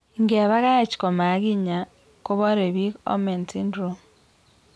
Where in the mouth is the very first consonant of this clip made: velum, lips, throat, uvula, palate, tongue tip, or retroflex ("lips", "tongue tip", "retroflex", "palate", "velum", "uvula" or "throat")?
velum